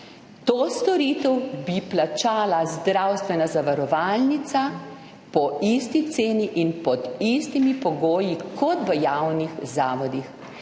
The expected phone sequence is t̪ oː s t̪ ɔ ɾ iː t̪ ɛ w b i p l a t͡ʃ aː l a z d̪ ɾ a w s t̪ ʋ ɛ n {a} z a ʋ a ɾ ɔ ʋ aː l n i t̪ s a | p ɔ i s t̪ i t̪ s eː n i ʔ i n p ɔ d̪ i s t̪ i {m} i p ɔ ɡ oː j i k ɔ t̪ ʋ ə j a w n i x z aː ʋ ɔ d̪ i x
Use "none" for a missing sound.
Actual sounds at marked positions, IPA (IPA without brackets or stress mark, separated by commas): a, m